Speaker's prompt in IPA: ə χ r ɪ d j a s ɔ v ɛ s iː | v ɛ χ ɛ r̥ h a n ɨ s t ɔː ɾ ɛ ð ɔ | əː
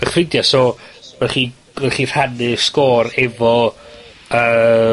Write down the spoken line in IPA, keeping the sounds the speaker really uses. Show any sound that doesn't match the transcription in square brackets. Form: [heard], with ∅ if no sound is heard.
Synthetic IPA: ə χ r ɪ d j a s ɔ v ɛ [χ] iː | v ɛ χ [i] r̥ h a n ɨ s [k] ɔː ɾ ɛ [v] ɔ | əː